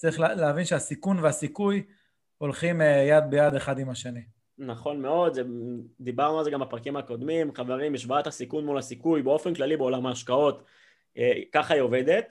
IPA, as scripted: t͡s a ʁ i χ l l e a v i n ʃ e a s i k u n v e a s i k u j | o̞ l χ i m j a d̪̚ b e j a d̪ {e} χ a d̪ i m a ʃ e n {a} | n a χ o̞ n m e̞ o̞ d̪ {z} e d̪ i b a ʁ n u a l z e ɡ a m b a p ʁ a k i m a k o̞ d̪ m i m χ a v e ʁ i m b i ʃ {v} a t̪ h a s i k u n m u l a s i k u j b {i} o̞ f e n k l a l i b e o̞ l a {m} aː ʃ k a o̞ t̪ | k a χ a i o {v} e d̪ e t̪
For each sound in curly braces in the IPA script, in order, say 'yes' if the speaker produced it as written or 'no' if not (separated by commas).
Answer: yes, no, yes, yes, no, yes, yes